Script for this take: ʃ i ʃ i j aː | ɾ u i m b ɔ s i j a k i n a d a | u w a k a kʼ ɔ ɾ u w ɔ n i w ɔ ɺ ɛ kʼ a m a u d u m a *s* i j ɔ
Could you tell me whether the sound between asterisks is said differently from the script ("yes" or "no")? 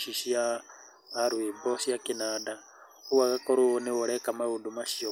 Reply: yes